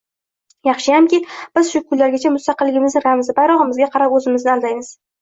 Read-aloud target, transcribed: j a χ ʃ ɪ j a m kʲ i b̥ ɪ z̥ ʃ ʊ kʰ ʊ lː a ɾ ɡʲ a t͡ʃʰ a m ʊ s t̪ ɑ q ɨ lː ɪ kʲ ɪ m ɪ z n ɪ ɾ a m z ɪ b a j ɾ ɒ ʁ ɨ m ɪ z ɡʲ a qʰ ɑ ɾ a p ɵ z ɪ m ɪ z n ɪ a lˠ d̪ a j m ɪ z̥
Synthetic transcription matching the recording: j ɑ χ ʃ ɪ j a m kʲ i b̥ ɪ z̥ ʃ ʊ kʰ ʊ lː a ɾ ɡʲ a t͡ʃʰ a m ʊ s t̪ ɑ q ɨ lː ɪ ɡʲ ɪ m ɪ z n ɪ ɾ a m z ɪ b a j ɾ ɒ ʁ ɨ m ɪ z ɡʲ a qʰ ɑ ɾ a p ɵ z ɪ m ɪ z n ɪ a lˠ d̪ a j m ɪ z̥